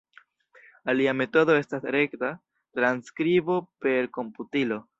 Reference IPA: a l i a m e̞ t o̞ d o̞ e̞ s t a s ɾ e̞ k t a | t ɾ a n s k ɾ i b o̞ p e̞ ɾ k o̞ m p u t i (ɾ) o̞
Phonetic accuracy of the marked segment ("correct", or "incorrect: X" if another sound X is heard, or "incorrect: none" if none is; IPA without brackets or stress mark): incorrect: l